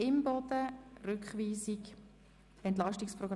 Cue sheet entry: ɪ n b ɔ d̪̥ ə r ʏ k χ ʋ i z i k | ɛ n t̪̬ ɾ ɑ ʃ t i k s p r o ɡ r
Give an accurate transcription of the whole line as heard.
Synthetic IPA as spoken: ɪ m b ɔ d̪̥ ə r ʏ k χ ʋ iː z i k | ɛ n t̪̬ l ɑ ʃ t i k s p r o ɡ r